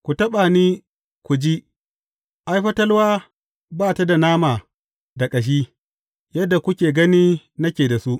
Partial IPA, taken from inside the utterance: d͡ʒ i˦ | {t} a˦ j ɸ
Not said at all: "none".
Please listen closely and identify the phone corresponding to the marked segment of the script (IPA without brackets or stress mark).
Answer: ʔ